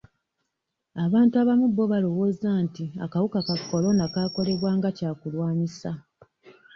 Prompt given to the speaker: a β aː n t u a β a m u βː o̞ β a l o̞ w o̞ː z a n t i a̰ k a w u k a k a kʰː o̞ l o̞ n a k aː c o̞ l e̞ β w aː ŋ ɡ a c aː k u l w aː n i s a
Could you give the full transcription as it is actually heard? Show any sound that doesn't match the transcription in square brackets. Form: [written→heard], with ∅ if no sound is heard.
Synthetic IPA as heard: a β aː n t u a β a m u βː o̞ β a l o̞ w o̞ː z a n t i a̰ k a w u k a k a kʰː o̞ l o̞ n a k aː [c→k] o̞ l e̞ β w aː ŋ ɡ a c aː k u l w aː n i s a